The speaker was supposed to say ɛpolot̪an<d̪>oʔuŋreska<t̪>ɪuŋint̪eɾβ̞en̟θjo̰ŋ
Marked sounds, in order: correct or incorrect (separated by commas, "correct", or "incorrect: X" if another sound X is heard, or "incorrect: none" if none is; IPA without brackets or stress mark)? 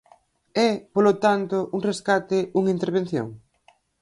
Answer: incorrect: t̪, correct